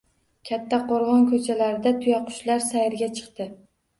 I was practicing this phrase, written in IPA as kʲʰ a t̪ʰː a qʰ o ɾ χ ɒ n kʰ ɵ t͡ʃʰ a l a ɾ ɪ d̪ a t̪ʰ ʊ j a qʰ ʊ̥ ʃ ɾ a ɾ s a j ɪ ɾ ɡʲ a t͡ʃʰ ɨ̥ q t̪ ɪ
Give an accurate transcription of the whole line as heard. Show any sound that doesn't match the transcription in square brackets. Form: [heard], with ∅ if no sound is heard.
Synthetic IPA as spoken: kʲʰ a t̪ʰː a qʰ o ɾ [ʁ] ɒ n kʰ ɵ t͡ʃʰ a l a ɾ ɪ d̪ a t̪ʰ ʊ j a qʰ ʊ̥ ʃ [l] a ɾ s a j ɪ ɾ ɡʲ a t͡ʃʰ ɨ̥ q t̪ ɪ